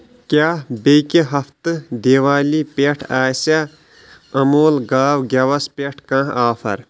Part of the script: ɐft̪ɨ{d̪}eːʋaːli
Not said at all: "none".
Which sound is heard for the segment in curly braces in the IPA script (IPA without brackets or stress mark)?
d̪